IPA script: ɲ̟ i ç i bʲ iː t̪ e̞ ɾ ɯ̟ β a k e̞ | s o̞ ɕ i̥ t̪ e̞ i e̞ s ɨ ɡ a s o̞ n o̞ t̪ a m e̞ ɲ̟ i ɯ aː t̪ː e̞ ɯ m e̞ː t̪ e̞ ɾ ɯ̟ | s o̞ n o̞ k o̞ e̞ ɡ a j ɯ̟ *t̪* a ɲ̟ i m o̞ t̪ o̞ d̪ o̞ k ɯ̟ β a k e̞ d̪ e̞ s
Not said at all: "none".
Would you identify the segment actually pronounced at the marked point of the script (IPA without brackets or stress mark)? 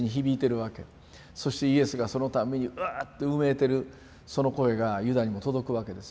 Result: d̪